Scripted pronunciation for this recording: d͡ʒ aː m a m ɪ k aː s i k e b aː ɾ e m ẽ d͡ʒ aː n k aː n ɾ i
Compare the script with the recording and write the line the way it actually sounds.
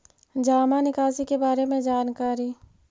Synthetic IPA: d͡ʒ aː m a n ɪ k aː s i k e b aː ɾ e m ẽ d͡ʒ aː n k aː ɾ i